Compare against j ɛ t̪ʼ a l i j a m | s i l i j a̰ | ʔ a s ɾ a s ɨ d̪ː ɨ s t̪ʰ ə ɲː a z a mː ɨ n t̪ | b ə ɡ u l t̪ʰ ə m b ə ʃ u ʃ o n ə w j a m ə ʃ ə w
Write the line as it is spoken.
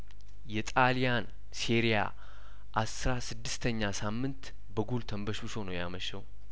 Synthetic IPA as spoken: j ɛ t̪ʼ a l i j a n | s i ɾ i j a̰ | ʔ a s ɾ a s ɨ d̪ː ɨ s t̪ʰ ə ɲː a s a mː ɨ n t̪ | b ə ɡ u l t̪ʰ ə m b ə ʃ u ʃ o n ə w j a m ə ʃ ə w